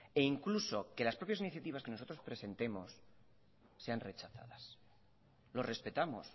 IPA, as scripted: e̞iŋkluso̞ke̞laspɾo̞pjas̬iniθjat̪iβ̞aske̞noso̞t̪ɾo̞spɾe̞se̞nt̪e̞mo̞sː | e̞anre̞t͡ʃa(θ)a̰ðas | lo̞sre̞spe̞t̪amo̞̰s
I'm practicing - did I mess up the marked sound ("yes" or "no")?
no